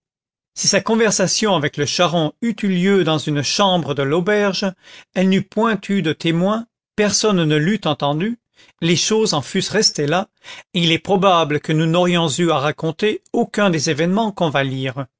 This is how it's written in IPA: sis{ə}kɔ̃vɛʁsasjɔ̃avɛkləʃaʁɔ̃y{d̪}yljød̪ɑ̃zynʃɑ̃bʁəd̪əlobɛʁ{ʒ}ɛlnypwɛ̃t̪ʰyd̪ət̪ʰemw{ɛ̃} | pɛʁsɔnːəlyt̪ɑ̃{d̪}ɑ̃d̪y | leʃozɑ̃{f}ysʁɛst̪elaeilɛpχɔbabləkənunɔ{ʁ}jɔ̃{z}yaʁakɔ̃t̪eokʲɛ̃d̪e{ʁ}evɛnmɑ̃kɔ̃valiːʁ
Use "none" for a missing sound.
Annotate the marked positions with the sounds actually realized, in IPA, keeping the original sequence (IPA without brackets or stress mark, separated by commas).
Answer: a, t̪, ʒ, ɛ̃, t̪, f, ʁ, z, z